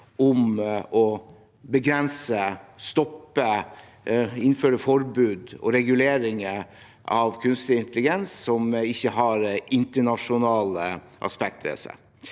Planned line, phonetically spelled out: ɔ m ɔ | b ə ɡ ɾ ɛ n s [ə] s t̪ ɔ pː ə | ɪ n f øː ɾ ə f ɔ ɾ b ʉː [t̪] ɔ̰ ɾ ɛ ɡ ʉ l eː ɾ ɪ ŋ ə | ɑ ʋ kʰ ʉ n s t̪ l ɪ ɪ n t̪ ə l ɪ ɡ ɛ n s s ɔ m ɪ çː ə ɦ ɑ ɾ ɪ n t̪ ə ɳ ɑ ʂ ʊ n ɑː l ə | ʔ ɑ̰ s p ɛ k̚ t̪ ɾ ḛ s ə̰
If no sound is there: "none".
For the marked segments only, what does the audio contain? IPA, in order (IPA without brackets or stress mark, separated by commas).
ə, d̪